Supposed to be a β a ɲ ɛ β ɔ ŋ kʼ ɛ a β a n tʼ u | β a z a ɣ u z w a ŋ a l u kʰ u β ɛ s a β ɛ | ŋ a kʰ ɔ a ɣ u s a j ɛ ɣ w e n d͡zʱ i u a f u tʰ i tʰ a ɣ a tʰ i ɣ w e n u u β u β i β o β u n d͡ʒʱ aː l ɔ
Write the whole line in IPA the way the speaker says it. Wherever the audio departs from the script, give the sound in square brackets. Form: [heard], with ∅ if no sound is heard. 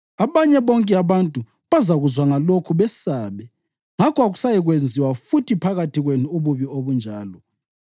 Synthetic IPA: a β a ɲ ɛ β ɔ ŋ kʼ ɛ a β a n tʼ u | β a z a ɣ u z w a ŋ a l [o] kʰ u β ɛ s a β ɛ | ŋ a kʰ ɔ a ɣ u s a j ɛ ɣ w e n d͡zʱ i [w] a f u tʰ i [pʰ] a ɣ a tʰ i ɣ w e n u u β u β i [∅] o β u n d͡ʒʱ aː l ɔ